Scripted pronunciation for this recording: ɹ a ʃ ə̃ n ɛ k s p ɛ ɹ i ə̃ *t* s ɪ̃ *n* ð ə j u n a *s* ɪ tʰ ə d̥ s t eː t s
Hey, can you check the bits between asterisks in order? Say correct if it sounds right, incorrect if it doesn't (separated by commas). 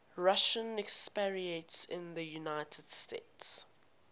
correct, correct, incorrect